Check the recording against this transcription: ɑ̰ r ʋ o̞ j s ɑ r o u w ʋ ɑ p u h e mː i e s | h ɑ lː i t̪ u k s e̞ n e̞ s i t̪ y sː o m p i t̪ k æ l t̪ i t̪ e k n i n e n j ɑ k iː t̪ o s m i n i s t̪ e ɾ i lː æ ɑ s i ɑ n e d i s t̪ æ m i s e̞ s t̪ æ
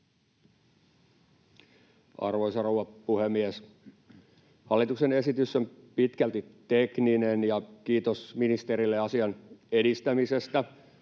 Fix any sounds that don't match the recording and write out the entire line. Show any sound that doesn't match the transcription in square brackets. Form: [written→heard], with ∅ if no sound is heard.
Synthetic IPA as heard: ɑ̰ r ʋ o̞ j s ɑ r o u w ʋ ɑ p u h e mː i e s | h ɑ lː i t̪ u k s e̞ n e̞ s i t̪ y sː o m p i t̪ k æ l t̪ i t̪ e k n i n e n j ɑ k iː t̪ o s m i n i s t̪ e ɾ i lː [æ→e] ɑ s i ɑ n e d i s t̪ æ m i s e̞ s t̪ æ